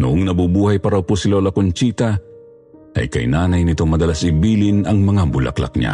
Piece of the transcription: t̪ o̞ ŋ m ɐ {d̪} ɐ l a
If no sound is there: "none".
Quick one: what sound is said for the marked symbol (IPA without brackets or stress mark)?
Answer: d̪